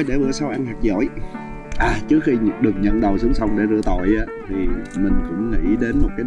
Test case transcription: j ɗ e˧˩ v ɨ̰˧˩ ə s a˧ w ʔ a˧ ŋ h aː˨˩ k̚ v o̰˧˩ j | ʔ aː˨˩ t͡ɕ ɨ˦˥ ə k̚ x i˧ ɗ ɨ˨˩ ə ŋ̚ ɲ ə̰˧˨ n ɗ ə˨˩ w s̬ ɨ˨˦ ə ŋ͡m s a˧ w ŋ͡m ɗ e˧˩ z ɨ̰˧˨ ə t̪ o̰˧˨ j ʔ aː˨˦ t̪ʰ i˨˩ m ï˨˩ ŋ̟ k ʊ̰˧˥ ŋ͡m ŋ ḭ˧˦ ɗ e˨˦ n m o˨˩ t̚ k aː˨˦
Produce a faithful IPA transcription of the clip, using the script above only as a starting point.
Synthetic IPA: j ɗ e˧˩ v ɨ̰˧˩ ə s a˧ w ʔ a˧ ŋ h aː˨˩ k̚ z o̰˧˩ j | ʔ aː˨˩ t͡ɕ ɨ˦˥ ə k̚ x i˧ ɗ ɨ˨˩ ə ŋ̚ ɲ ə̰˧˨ n ɗ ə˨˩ w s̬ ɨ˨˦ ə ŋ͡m s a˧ w ŋ͡m ɗ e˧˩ z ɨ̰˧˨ ə t̪ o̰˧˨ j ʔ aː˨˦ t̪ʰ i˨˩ m ï˨˩ ŋ̟ k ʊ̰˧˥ ŋ͡m ŋ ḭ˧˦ ɗ e˨˦ n m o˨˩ t̚ k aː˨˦